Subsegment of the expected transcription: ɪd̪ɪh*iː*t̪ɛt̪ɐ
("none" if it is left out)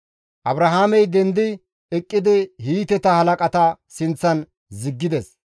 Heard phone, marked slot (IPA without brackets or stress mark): iː